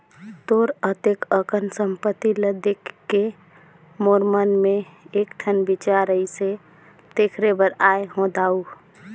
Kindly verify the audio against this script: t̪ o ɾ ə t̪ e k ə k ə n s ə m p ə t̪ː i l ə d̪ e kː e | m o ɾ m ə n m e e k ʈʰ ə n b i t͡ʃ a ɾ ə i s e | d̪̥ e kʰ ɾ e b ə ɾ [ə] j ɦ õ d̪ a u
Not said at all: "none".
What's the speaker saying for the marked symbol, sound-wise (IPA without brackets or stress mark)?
a